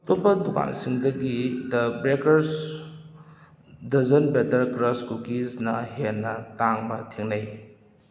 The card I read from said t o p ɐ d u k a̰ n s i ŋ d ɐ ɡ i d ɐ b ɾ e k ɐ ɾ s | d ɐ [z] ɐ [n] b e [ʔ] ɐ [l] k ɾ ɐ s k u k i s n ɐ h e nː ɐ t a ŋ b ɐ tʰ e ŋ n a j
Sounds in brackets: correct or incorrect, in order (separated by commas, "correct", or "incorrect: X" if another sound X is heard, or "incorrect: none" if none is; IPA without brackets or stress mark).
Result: correct, correct, incorrect: t, incorrect: ɾ